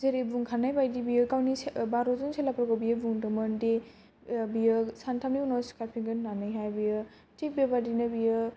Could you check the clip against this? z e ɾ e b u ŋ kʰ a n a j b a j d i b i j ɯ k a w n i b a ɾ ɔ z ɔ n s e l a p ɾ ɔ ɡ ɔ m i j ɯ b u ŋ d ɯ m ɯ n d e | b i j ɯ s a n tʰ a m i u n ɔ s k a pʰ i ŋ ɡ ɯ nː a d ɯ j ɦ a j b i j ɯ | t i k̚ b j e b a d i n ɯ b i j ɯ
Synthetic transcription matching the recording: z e ɾ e b u ŋ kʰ a n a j b a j d i b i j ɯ k a w n i b a ɾ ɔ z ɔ n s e l a p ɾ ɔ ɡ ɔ b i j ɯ b u ŋ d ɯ m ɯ n d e | b i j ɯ s a n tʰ a m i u n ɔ s k a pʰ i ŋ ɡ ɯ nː a n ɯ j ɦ a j b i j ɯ | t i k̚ b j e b a d i n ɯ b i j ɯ